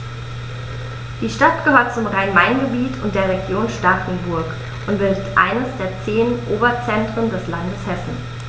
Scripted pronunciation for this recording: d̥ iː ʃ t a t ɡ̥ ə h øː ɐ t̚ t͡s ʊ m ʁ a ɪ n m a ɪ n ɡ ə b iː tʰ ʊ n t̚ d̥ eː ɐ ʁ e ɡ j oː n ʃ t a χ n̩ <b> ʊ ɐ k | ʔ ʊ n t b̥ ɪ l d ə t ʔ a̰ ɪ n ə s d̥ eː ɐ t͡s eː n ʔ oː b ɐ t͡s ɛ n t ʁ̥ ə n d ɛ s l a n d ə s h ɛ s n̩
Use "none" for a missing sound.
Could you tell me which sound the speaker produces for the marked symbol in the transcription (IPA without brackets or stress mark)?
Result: b